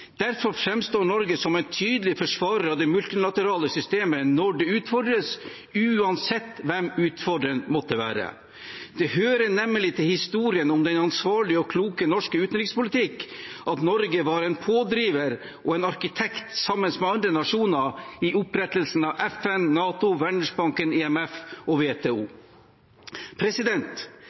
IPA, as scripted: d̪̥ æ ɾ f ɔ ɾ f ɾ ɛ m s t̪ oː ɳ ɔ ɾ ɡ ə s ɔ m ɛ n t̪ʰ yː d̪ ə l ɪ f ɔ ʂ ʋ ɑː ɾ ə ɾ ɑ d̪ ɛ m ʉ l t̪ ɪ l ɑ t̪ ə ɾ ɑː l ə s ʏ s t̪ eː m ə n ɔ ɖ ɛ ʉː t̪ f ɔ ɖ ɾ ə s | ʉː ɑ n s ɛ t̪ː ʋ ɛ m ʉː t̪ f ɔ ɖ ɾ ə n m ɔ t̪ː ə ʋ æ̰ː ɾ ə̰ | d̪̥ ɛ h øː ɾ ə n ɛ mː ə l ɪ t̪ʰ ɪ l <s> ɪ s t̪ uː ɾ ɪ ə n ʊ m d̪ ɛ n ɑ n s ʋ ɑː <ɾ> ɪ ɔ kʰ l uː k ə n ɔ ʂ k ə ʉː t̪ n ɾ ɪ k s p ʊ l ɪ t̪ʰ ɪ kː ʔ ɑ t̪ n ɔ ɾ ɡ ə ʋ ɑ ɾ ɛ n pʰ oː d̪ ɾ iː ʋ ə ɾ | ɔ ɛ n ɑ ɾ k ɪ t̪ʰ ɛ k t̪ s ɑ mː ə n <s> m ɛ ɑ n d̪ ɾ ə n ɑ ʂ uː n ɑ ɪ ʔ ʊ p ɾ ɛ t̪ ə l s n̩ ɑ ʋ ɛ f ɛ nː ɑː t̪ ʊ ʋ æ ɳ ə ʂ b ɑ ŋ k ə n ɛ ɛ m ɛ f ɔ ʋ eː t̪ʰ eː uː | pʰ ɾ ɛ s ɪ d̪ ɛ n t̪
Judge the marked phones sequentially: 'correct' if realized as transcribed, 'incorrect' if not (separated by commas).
incorrect, incorrect, correct